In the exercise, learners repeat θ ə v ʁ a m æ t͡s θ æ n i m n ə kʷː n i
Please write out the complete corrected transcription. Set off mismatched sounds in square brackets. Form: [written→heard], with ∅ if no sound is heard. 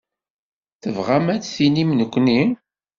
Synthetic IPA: θ ə v ʁ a m æ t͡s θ [æ→i] n i m n ə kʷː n i